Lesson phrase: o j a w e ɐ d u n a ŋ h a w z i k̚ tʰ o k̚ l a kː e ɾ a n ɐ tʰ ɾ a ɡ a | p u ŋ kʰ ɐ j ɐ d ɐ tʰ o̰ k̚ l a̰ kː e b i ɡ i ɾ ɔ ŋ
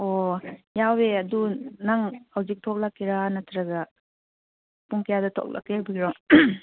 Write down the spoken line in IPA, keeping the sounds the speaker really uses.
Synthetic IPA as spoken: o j a w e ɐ d u n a ŋ h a w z i k̚ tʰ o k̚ l a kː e ɾ a n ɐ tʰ ɾ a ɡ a | p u ŋ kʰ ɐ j a d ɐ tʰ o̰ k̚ l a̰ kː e b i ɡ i ɾ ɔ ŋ